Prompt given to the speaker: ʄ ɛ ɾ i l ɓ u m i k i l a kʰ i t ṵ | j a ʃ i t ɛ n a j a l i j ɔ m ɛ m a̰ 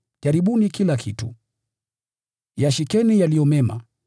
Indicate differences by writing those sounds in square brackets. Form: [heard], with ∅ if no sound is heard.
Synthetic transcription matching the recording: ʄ [a] ɾ i [∅] ɓ u [n] i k i l a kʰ i t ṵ | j a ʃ i [k] ɛ n [i] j a l i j ɔ m ɛ m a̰